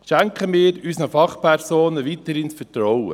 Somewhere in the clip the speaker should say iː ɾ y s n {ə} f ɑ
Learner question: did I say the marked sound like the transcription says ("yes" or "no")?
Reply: yes